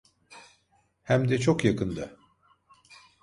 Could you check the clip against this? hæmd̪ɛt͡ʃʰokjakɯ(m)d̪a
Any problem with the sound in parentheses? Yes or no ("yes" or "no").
yes